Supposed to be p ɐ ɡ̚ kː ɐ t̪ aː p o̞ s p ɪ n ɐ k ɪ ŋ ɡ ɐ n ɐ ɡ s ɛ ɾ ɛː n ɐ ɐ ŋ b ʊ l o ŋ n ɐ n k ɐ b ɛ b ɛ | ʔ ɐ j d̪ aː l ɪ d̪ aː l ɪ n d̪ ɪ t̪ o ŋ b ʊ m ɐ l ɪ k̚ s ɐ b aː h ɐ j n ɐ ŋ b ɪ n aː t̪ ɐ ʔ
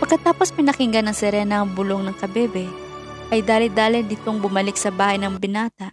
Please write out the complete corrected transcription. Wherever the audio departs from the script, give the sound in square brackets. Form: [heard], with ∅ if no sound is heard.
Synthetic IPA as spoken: p ɐ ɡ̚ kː ɐ t̪ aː p o̞ s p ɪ n ɐ k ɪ ŋ ɡ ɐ n ɐ [ŋ] s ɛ ɾ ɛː n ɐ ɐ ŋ b ʊ l o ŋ n ɐ [ŋ] k ɐ b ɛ b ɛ | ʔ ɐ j d̪ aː l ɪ d̪ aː l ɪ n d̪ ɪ t̪ o ŋ b ʊ m ɐ l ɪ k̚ s ɐ b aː h ɐ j n ɐ ŋ b ɪ n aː t̪ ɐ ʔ